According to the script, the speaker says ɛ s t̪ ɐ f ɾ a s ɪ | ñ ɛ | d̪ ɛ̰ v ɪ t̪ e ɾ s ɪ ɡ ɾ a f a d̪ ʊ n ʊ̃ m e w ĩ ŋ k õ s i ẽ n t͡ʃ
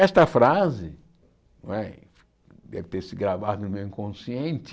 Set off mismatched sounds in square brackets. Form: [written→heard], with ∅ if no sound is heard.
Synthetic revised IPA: ɛ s t̪ ɐ f ɾ a [s→z] ɪ | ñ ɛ | d̪ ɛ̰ v ɪ t̪ e ɾ s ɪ ɡ ɾ a [f→v] a d̪ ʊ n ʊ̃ m e w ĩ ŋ k õ s i ẽ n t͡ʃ